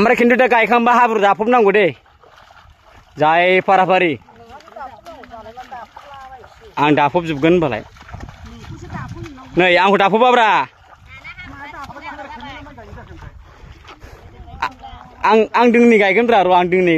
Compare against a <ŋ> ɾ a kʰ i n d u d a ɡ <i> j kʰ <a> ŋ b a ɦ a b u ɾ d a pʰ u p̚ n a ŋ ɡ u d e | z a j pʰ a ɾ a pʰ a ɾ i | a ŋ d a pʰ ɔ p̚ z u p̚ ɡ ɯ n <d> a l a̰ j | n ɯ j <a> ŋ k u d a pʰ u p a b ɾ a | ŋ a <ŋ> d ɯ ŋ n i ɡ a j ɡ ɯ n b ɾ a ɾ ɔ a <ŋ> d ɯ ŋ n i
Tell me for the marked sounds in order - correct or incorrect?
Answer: incorrect, incorrect, correct, incorrect, correct, correct, correct

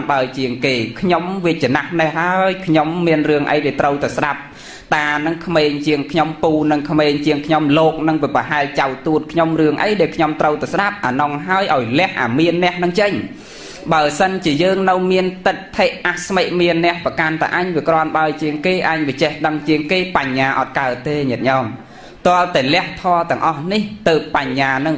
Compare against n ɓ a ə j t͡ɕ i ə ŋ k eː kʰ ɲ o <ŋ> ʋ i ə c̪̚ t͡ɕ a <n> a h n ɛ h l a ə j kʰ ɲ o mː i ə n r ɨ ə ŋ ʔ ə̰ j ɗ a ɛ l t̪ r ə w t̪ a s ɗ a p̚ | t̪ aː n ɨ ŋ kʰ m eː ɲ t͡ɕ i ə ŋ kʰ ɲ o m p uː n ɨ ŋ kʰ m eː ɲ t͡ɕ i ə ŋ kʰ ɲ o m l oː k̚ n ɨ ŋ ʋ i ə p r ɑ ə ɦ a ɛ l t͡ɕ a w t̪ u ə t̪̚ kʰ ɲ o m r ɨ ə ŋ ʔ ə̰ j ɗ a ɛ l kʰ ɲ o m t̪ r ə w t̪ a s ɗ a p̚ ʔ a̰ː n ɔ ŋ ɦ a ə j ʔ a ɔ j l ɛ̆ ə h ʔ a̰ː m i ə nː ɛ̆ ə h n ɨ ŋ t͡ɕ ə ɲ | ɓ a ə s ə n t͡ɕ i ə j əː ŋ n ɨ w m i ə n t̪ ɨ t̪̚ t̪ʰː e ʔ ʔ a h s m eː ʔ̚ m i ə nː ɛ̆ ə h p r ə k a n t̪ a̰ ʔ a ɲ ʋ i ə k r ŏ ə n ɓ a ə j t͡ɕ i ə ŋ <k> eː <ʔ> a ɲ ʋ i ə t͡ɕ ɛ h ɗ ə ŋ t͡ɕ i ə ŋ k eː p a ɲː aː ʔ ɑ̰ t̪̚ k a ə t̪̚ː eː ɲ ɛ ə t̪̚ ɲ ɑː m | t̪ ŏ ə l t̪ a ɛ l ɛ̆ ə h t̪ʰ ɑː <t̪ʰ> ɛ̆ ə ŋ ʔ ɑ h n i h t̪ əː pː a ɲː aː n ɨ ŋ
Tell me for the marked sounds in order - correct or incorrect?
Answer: incorrect, correct, correct, correct, incorrect

